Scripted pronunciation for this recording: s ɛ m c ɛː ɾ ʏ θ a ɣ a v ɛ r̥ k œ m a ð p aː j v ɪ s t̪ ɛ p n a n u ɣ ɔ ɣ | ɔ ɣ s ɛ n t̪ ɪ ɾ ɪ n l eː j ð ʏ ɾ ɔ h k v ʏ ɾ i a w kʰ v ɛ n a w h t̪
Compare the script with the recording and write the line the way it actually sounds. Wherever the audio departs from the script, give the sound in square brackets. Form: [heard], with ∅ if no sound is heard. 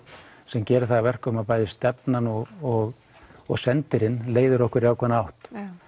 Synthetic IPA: s ɛ m c ɛː ɾ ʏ θ a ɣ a v ɛ r̥ k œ m a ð p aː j [ð] ɪ s t̪ ɛ p n a n [ɔ] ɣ ɔ ɣ | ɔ ɣ s ɛ n t̪ ɪ ɾ ɪ n l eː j ð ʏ ɾ ɔ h k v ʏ ɾ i a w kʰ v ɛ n a w h t̪

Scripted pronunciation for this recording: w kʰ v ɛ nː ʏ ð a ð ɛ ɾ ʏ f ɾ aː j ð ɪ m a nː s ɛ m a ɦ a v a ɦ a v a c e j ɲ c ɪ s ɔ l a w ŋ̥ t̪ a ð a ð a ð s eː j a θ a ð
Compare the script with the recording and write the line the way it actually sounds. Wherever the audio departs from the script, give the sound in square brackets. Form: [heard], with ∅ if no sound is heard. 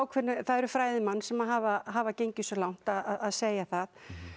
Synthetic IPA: w kʰ v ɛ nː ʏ [θ] a ð ɛ ɾ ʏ f ɾ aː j ð ɪ m a nː s ɛ m a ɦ a v a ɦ a v a c e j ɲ c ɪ s ɔ l a w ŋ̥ t̪ a ð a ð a ð s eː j a θ a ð

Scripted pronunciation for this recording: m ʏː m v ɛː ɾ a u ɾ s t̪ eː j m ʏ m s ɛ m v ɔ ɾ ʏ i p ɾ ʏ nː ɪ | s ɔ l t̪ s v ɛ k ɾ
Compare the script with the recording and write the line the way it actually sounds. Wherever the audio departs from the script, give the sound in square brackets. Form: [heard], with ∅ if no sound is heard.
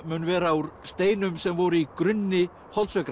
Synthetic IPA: m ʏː [n] v ɛː ɾ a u ɾ s t̪ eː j [n] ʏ m s ɛ m v ɔ ɾ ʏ i [k] ɾ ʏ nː ɪ | [h] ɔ l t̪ s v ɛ k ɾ

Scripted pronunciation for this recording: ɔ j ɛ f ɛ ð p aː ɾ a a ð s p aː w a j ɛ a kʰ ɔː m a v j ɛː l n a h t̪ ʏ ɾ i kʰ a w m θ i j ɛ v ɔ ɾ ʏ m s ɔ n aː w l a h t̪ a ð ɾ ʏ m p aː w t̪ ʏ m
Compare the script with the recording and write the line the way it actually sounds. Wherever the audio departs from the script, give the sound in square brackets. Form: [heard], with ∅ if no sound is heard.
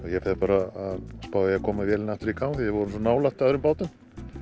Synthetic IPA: ɔ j ɛ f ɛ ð p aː ɾ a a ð s p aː w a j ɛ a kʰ ɔː m a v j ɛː l n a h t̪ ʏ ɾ i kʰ a w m θ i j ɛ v ɔ ɾ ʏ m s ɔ n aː w l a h t̪ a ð ɾ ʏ m p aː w t̪ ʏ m

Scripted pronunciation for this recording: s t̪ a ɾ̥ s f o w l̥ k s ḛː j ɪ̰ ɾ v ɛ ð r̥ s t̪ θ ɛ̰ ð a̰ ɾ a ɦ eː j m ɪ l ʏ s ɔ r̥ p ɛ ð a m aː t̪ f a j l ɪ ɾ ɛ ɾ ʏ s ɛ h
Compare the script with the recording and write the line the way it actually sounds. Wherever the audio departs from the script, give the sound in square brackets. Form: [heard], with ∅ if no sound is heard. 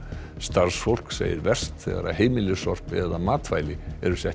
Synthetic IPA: s t̪ a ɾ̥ s f o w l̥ k s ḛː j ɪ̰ ɾ v ɛ [∅] r̥ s t̪ θ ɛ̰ [ɣ] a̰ ɾ a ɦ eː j m ɪ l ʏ s ɔ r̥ p ɛ ð a m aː t̪ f a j l ɪ [∅] ɛ ɾ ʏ s ɛ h

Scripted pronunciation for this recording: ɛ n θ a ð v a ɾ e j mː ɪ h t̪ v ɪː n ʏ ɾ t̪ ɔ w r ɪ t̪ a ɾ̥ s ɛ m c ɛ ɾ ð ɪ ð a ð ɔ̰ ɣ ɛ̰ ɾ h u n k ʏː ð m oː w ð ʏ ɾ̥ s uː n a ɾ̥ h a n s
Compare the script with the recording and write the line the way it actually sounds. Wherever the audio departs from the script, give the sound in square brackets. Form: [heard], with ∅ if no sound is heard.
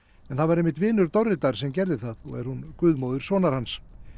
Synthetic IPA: ɛ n θ a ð v a ɾ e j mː ɪ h t̪ v ɪː n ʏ ɾ t̪ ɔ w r ɪ t̪ a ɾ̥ s ɛ m c ɛ ɾ ð ɪ [θ] a ð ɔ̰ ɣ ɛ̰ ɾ h u n k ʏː ð m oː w ð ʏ ɾ̥ s [ɔː] n a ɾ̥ h a n s

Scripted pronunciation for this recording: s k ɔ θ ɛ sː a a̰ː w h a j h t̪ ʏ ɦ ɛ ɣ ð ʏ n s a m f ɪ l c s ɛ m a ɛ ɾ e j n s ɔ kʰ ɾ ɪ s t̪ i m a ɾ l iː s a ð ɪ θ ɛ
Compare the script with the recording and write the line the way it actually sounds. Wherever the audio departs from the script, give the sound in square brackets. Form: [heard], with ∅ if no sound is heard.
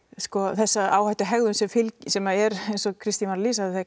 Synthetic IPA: s k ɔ θ ɛ sː a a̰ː w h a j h t̪ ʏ ɦ ɛ ɣ ð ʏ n s [ɛ] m f ɪ l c s ɛ m a ɛ ɾ e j n s ɔ kʰ ɾ ɪ s t̪ i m a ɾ l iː s a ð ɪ θ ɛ

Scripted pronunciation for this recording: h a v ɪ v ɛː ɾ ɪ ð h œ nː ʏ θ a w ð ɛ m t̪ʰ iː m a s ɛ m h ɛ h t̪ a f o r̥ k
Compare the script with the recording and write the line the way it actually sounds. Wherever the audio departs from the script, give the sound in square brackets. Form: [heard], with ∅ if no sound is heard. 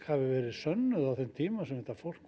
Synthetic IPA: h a v ɪ v ɛː ɾ ɪ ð [s] œ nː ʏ [ð] a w [θ] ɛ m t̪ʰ iː m a s ɛ m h ɛ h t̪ a f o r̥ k

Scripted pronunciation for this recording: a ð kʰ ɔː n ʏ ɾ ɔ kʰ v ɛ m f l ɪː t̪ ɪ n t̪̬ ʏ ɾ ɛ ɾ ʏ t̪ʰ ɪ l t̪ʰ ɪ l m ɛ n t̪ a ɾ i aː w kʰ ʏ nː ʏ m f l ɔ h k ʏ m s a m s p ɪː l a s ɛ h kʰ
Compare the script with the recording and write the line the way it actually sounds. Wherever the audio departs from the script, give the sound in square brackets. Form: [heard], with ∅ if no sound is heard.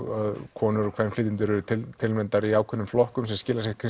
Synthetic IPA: a ð kʰ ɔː n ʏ ɾ ɔ kʰ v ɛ [n] f l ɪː t̪ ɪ n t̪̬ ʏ ɾ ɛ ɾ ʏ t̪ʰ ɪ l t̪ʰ ɪ l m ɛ n t̪ a ɾ i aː w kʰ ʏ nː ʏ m f l ɔ h k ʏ m s [ɛ] m s [c] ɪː l a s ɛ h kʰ

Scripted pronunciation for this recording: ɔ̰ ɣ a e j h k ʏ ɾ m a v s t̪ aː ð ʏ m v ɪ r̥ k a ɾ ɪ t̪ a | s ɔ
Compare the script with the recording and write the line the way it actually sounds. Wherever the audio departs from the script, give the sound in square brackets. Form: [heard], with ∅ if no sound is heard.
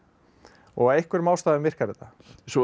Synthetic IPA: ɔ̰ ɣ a e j h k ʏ ɾ m a [w] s t̪ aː ð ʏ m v ɪ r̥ k a ɾ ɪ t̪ a | s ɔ

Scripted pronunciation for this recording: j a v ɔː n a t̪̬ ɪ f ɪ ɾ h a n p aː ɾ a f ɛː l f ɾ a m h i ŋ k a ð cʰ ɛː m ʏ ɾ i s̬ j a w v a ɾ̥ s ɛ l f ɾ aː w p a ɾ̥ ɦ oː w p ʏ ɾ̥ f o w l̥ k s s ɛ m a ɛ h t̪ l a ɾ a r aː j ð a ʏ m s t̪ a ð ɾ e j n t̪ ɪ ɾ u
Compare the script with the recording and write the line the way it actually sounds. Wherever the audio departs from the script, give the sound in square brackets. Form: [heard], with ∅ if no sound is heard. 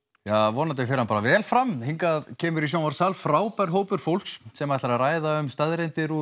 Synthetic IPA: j a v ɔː n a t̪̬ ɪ f ɪ ɾ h a n p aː ɾ a [v] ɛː l f ɾ a m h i ŋ k a ð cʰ ɛː m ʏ ɾ i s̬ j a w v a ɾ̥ s [a] l f ɾ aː w p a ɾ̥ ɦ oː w p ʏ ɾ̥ f o w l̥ k s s ɛ m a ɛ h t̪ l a ɾ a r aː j ð a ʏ m s t̪ a ð ɾ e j n t̪ ɪ ɾ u

